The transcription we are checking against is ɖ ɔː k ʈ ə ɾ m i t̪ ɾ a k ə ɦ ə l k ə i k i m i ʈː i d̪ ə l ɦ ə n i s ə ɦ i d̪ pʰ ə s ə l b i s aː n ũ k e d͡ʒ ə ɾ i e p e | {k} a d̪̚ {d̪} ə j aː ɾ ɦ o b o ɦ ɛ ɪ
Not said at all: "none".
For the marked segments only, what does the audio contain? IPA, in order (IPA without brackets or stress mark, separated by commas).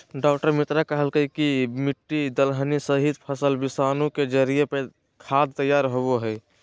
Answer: kʰ, t̪